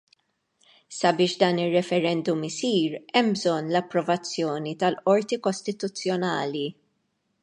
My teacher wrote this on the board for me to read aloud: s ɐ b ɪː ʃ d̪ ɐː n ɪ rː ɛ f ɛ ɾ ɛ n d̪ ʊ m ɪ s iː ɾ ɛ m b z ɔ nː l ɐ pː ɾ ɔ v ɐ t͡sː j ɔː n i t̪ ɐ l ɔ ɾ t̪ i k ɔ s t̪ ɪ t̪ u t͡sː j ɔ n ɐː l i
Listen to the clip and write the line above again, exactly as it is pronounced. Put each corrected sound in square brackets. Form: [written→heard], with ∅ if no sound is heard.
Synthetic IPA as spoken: s ɐ b ɪː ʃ d̪ ɐː n ɪ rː ɛ f ɛ ɾ ɛ n d̪ ʊ m ɪ s iː ɾ ɛ m b z ɔ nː l ɐ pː ɾ ɔ v ɐ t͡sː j ɔː n i t̪ ɐ l ɔ ɾ t̪ i k ɔ s t̪ ɪ t̪ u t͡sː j ɔ n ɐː l i